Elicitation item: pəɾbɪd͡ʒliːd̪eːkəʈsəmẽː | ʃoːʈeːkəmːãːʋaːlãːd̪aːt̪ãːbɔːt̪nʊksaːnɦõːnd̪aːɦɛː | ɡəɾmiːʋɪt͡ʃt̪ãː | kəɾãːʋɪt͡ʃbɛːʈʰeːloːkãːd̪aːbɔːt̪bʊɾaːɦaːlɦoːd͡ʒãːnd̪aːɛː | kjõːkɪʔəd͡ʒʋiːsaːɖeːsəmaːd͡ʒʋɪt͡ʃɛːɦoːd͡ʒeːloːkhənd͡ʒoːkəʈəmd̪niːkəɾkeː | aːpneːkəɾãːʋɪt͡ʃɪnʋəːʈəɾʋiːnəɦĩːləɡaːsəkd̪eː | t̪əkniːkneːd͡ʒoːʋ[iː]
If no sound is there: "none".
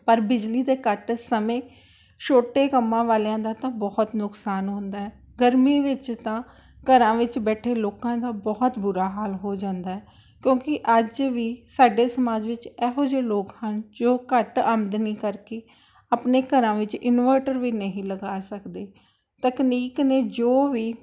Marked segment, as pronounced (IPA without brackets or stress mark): iː